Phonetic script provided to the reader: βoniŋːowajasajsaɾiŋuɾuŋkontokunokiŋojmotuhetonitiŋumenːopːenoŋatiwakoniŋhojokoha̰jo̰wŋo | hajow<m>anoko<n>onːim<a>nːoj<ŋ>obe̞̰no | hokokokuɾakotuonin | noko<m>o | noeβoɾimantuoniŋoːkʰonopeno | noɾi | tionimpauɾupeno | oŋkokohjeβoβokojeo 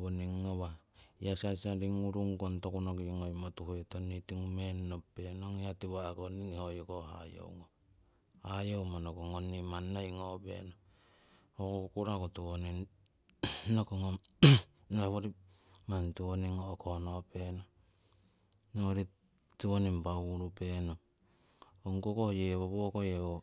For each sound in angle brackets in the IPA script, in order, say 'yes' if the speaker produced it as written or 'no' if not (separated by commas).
yes, no, yes, yes, no